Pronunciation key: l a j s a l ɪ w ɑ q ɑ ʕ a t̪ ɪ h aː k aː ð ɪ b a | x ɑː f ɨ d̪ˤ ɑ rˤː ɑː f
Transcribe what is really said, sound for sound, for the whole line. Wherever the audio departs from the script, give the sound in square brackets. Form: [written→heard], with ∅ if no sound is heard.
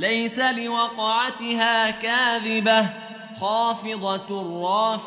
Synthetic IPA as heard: l a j s a l ɪ w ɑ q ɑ ʕ a t̪ ɪ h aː k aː ð ɪ b a | x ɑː f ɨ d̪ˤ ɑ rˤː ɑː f